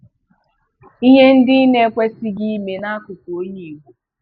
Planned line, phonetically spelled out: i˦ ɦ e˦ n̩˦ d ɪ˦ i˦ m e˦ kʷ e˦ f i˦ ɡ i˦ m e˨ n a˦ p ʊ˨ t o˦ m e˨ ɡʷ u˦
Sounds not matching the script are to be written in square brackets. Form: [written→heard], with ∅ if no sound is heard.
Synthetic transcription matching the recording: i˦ ɦ e˦ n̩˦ d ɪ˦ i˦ [m→n] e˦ kʷ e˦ [f→s] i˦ ɡ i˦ m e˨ n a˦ [p→k] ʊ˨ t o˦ [m→ɲ] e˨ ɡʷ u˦

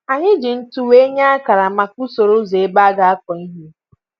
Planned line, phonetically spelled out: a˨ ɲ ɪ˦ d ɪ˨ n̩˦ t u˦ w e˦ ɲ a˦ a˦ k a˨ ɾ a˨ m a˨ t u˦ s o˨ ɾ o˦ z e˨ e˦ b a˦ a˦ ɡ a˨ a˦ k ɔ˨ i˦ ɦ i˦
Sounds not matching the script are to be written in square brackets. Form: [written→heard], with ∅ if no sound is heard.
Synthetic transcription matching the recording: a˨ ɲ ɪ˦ [d→d͡ʒ] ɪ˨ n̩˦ t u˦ w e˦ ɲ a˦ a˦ k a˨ ɾ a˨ m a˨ [t→k] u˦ s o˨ ɾ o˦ z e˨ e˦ b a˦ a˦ ɡ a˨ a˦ k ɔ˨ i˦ ɦ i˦

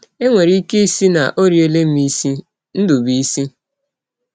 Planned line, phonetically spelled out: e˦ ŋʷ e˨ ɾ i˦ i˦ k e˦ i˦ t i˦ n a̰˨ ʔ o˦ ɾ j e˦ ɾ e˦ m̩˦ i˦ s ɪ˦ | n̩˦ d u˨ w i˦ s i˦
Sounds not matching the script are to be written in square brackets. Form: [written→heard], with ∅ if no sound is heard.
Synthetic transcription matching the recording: e˦ ŋʷ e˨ ɾ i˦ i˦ k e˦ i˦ [t→s] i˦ n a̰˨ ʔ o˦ ɾ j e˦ [ɾ→l] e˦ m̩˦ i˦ s [ɪ˦→i˦] | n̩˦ d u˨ [w→b] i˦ s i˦

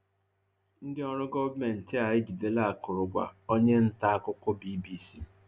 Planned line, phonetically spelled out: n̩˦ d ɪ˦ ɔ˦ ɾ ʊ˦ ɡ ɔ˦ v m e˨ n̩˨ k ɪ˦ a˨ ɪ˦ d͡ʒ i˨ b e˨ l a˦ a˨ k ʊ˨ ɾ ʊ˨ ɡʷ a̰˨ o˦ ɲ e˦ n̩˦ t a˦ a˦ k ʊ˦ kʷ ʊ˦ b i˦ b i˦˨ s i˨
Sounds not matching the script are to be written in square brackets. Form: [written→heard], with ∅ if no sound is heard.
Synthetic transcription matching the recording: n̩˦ d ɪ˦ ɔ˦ ɾ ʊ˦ ɡ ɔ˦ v m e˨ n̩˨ [k→t] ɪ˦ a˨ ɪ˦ d͡ʒ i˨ [b→d] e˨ l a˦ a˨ k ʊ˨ ɾ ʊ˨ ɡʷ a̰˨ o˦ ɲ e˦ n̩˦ t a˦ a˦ k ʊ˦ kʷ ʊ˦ b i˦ b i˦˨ s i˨

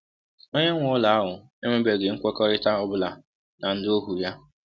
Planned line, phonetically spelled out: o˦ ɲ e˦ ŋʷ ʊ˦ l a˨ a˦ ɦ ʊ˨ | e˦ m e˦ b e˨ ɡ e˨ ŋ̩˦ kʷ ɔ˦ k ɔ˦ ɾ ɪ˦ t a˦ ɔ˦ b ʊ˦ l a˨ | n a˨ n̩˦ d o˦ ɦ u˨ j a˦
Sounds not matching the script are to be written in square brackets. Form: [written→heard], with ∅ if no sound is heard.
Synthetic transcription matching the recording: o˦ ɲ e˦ ŋʷ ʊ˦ l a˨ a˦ ɦ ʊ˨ | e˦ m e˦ b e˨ ɡ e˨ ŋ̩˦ kʷ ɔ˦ k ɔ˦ ɾ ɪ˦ t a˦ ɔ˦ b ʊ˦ l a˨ | n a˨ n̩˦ d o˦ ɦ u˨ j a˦

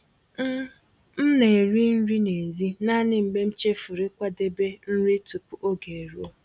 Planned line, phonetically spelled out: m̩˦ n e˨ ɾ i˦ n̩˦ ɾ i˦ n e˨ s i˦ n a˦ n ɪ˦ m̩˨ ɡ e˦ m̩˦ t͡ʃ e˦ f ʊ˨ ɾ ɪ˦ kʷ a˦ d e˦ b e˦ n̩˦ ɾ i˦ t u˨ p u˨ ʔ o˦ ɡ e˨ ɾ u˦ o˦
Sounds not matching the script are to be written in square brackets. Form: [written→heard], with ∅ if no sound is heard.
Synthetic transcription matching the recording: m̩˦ n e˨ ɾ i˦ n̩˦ ɾ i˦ n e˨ [s→z] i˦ n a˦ n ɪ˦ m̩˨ [ɡ→ɡ͡b] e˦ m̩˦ t͡ʃ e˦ f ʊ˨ ɾ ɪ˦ kʷ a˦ d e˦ b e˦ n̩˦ ɾ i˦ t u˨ p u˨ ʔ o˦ ɡ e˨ ɾ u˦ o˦

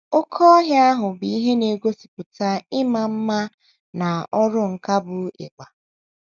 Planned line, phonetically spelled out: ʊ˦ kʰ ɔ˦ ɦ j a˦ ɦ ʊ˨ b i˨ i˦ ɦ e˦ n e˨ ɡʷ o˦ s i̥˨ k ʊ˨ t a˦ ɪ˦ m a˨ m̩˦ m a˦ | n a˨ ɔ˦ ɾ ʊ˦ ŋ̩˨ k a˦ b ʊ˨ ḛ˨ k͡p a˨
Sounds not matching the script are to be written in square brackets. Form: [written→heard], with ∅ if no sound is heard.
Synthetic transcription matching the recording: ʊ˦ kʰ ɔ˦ ɦ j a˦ ɦ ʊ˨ b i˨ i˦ ɦ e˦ n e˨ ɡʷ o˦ s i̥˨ [k→p] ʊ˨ t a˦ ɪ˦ m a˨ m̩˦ m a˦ | n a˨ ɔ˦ ɾ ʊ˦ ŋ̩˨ k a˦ b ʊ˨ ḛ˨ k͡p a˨

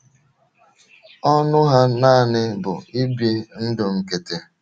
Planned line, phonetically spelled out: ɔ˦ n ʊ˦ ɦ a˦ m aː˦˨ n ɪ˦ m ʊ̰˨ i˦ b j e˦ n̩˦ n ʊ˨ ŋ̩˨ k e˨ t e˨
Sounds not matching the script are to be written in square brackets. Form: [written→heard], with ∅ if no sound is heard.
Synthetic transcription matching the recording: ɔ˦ n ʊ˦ ɦ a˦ [m→n] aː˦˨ n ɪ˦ [m→b] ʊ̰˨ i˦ b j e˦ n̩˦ [n→d] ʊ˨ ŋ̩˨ k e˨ t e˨

